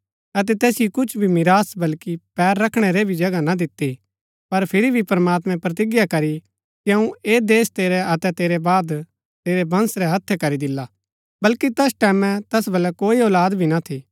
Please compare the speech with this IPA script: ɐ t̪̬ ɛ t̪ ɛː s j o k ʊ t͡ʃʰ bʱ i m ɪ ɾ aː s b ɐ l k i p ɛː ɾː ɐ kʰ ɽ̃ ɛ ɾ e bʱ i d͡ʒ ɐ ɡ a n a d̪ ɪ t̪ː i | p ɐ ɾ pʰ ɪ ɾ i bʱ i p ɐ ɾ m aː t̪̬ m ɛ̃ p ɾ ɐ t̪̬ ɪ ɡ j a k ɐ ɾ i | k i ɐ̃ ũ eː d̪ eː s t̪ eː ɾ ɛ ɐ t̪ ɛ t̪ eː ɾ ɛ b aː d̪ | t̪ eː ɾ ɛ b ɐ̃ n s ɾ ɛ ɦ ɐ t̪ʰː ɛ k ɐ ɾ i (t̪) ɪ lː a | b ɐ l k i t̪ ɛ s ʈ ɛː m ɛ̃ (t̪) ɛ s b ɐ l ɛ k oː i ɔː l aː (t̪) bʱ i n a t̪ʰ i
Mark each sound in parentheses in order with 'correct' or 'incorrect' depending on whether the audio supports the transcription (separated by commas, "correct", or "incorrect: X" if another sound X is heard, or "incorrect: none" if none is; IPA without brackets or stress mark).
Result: incorrect: d̪, correct, incorrect: d̪